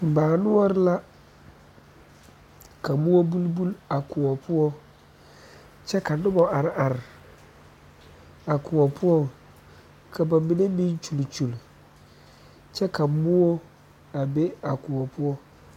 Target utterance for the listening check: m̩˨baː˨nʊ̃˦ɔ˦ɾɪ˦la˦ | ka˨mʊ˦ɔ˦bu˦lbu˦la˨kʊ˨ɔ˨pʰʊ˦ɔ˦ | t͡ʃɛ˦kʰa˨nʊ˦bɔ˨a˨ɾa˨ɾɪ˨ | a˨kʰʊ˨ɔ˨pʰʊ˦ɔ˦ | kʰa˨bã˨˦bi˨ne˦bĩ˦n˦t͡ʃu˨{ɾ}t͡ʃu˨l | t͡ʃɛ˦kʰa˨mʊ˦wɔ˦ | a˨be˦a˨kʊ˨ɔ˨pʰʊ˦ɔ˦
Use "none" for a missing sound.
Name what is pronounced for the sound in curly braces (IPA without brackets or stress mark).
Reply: l